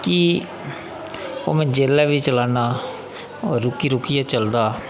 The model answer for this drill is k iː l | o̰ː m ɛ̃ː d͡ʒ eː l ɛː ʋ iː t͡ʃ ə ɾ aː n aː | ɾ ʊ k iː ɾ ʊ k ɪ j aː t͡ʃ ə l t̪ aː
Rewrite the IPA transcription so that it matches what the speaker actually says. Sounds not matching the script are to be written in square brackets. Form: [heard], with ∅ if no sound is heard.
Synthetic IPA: k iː [∅] | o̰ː m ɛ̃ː d͡ʒ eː l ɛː ʋ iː t͡ʃ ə [l] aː n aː | ɾ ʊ k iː ɾ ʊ k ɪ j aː t͡ʃ ə l [d̪] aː